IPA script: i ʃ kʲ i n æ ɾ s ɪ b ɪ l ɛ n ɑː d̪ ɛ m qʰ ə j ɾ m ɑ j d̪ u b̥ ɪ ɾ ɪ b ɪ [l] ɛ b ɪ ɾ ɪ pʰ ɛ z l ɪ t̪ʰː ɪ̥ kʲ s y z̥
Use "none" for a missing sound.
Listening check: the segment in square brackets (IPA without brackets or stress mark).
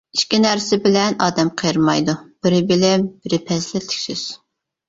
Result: l